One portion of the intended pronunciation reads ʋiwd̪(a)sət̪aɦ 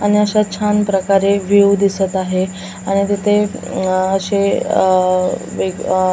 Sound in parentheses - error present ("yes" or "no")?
yes